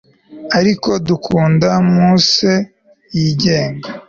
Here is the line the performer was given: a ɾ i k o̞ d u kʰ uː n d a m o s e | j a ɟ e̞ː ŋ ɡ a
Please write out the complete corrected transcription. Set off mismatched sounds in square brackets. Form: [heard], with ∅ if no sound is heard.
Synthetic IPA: a ɾ i k o̞ d u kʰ uː n d a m [u] s e | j [i] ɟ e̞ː ŋ ɡ a